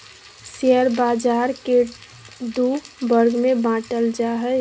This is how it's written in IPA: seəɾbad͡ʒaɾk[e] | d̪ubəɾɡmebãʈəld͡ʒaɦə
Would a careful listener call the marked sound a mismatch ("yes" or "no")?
no